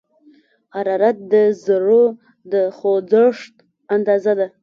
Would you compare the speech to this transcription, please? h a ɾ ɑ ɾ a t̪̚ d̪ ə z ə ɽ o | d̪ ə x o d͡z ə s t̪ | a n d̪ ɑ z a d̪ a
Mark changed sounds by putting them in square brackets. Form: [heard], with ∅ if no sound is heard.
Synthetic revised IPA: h a ɾ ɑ ɾ a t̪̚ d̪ ə z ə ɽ o | d̪ ə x o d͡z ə [ʂ] t̪ | a n d̪ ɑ z a d̪ a